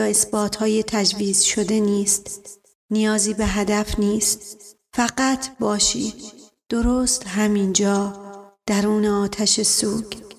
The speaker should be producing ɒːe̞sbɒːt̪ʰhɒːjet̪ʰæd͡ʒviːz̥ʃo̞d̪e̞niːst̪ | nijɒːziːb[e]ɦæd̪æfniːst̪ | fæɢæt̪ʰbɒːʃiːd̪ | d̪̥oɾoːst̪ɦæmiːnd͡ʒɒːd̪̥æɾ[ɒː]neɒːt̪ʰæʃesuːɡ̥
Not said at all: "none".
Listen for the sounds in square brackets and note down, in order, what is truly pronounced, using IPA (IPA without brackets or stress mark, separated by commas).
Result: e, uː